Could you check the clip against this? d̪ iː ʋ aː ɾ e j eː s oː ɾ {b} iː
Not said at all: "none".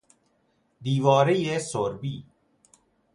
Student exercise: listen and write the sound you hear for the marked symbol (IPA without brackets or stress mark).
b